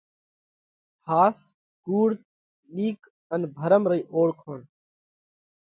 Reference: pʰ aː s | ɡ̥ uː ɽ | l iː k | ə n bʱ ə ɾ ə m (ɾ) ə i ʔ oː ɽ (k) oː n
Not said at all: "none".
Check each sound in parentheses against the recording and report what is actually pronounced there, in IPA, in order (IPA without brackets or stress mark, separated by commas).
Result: ɾ, kʰ